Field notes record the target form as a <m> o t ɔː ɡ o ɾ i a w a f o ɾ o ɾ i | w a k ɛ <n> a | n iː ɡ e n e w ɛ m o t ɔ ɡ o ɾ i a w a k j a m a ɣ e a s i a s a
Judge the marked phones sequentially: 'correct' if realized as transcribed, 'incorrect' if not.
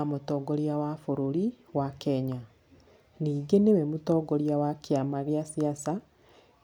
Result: correct, incorrect

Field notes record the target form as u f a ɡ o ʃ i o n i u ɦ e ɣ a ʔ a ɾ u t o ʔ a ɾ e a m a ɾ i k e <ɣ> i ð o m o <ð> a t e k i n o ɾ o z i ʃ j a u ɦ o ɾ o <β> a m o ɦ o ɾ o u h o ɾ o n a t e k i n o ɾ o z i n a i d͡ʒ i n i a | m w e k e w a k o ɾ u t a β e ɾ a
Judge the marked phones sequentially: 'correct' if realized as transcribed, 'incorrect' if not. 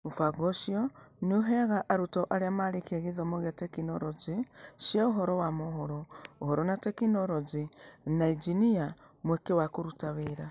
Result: correct, incorrect, incorrect

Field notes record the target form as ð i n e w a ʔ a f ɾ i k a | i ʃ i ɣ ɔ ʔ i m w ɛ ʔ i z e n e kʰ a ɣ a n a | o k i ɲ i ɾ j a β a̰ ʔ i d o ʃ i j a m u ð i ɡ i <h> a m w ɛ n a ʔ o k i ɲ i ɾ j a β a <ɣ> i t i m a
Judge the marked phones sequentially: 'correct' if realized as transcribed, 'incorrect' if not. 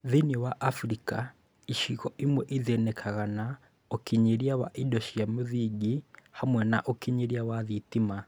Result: correct, incorrect

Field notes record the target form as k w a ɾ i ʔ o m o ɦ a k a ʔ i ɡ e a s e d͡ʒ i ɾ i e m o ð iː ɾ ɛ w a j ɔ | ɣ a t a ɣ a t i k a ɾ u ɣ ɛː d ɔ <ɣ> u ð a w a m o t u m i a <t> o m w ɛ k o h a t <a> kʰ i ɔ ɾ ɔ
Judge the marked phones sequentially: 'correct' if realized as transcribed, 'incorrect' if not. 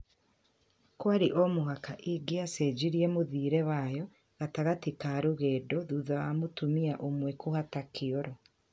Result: incorrect, incorrect, correct

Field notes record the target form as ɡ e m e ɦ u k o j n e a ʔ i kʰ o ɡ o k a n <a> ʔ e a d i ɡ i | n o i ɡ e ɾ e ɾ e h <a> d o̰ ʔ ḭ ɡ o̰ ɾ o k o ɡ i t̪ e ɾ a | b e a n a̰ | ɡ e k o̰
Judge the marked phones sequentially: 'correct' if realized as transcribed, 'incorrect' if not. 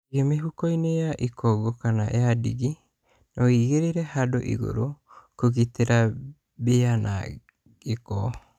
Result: correct, correct

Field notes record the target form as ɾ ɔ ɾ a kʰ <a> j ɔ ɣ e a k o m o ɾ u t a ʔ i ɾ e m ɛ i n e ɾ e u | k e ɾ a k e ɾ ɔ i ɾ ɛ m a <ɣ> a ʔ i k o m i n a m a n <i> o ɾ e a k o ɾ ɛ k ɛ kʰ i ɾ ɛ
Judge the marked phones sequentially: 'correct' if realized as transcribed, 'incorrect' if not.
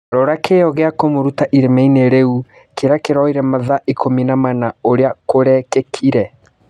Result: incorrect, incorrect, incorrect

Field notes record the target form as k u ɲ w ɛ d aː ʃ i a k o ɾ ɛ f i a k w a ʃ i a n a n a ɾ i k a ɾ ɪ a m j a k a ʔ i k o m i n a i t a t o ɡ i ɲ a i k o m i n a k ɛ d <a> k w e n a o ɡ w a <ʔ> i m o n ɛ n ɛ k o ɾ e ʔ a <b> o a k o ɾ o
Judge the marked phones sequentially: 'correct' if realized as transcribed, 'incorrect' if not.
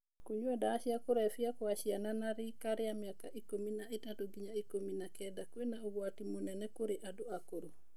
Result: correct, incorrect, incorrect

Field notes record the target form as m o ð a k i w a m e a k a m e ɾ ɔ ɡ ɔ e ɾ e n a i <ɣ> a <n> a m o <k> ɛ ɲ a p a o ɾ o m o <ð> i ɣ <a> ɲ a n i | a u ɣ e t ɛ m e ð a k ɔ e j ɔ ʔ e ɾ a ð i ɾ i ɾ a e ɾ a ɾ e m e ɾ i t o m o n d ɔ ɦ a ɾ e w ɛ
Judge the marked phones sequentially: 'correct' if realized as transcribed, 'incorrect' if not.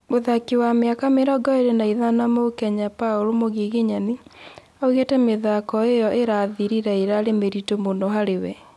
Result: incorrect, correct, correct, incorrect, incorrect

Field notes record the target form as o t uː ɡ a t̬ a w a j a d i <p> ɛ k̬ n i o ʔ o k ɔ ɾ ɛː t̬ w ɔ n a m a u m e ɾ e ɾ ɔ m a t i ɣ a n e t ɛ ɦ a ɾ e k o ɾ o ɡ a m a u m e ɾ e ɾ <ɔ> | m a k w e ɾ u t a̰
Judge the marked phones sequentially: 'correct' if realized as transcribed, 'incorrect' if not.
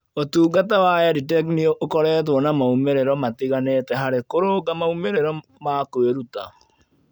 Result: incorrect, correct

